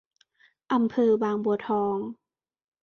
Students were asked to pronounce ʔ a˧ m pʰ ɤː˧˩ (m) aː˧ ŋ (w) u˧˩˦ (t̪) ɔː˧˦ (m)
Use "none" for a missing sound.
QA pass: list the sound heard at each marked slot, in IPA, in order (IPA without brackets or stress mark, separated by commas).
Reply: b, b, t̪ʰ, ŋ